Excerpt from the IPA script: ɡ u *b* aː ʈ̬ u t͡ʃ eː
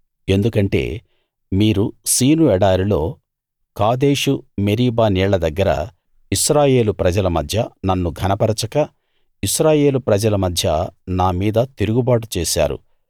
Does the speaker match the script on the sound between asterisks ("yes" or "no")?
yes